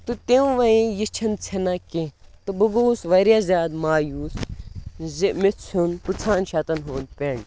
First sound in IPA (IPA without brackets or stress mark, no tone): t̪